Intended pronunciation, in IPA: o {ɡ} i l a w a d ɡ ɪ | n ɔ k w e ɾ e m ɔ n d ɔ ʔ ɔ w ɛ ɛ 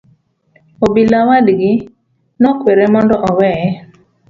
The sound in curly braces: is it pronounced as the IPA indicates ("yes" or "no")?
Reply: no